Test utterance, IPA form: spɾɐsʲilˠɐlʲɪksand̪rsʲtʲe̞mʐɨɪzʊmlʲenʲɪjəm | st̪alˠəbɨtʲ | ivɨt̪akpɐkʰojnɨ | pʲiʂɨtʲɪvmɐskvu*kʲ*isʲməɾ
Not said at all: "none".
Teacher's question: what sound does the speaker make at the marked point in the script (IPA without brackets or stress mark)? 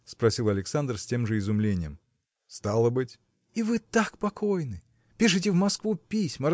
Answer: pʲ